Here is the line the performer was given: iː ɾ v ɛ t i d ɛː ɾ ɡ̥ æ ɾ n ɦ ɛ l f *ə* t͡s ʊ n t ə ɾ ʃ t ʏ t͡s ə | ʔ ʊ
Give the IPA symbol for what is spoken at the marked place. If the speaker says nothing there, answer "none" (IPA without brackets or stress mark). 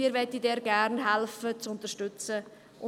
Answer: ə